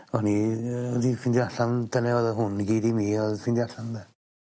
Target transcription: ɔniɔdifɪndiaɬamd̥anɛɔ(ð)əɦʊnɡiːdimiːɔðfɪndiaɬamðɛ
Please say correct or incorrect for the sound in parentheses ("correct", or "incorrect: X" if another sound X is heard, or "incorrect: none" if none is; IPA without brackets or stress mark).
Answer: correct